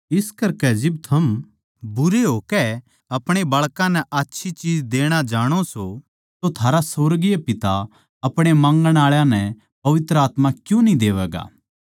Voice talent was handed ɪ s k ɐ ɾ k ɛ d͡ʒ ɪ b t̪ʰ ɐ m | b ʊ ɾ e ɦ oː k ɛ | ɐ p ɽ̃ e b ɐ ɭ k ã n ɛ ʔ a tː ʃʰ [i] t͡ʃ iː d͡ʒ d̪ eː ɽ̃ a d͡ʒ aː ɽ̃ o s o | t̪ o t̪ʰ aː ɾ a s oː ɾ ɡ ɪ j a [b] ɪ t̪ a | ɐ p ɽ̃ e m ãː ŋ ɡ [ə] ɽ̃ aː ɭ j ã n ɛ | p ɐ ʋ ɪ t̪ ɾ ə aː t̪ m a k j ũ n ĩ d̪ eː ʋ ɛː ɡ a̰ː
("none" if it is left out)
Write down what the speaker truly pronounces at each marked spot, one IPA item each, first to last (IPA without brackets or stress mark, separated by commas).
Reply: i, p, ə